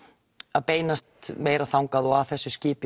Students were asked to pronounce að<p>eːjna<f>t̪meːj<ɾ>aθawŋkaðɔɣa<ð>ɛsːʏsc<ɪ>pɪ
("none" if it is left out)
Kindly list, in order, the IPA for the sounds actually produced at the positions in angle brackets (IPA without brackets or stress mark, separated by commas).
p, s, ɾ, θ, ɪː